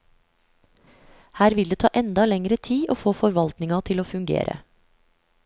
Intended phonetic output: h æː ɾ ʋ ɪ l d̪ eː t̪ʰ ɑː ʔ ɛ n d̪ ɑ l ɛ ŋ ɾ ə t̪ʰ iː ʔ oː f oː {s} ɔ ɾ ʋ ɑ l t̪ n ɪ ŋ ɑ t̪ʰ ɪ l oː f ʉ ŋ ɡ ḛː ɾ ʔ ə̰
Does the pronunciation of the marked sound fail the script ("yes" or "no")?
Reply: yes